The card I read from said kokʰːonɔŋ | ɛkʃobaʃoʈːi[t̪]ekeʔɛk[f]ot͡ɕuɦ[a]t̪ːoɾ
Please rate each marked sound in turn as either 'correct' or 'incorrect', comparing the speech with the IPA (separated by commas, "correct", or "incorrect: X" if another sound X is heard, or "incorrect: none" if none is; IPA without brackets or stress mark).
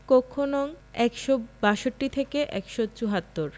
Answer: incorrect: t̪ʰ, incorrect: ʃ, correct